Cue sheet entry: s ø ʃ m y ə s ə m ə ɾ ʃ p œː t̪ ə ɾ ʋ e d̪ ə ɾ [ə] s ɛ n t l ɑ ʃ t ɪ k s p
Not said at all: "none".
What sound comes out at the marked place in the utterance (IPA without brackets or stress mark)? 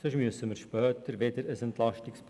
ə